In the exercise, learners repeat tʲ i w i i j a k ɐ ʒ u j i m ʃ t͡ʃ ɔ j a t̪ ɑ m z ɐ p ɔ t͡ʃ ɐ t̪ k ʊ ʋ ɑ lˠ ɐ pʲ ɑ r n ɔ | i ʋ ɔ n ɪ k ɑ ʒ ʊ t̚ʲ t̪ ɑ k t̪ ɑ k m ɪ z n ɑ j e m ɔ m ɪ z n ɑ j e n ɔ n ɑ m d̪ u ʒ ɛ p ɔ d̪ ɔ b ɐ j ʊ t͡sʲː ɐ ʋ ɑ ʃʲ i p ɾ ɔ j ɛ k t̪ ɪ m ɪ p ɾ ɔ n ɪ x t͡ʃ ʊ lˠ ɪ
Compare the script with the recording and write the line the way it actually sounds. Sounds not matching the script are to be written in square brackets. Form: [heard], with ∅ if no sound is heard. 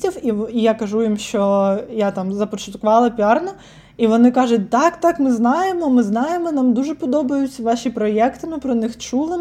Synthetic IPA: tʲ i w i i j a k ɐ ʒ u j i m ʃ t͡ʃ ɔ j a t̪ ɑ m z ɐ p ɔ t͡ʃ ɐ t̪ k ʊ ʋ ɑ lˠ ɐ pʲ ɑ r n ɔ | i ʋ ɔ n ɪ k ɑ ʒ ʊ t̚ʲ t̪ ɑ k t̪ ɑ k m ɪ z n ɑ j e m ɔ m ɪ z n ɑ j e [m] ɔ n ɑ m d̪ u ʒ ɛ p ɔ d̪ ɔ b ɐ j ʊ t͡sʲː ɐ ʋ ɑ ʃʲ i p ɾ ɔ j ɛ k t̪ ɪ m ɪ p ɾ ɔ n ɪ x t͡ʃ [u] lˠ ɪ